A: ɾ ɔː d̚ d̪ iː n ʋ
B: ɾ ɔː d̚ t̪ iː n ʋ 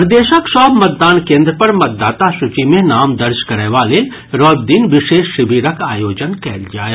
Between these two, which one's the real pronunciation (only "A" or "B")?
A